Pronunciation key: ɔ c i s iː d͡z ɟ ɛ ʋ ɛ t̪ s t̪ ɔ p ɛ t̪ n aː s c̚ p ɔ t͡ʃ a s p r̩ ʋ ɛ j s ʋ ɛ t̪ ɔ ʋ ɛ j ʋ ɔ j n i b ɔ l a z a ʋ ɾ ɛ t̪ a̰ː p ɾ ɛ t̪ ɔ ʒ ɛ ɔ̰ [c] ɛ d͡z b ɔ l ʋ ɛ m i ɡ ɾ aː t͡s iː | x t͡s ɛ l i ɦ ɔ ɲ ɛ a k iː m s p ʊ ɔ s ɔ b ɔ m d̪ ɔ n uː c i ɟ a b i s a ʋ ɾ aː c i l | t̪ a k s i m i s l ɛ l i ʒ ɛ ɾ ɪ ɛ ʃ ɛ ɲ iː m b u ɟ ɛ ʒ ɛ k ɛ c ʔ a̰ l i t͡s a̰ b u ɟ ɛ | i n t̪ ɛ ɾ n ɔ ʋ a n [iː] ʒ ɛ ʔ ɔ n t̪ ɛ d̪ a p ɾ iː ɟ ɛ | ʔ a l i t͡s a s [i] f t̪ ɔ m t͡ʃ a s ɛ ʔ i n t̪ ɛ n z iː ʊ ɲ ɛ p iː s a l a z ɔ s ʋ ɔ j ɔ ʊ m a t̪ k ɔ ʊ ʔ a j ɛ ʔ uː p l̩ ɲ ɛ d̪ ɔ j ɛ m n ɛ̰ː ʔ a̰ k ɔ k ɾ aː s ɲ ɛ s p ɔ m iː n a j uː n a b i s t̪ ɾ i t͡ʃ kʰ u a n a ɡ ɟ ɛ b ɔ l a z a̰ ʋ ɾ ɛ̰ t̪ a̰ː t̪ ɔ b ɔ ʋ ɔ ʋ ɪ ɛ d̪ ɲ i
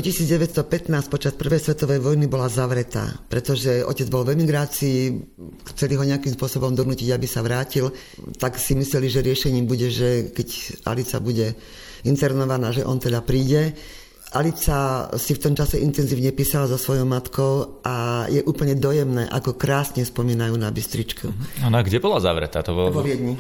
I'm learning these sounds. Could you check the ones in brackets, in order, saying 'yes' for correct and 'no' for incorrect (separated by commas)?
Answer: yes, no, yes